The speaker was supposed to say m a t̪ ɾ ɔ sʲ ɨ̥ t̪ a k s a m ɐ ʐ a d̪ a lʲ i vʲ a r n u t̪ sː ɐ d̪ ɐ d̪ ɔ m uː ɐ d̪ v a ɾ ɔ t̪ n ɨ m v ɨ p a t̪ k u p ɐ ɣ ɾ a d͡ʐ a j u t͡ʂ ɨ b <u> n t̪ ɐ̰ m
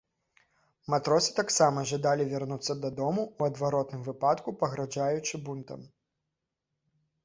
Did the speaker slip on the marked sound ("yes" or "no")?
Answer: no